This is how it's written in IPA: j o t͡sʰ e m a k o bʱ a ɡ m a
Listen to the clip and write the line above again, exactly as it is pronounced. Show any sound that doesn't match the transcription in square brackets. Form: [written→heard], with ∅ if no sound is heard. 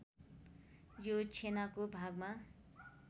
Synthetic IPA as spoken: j o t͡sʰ e [m→n] a k o bʱ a ɡ m a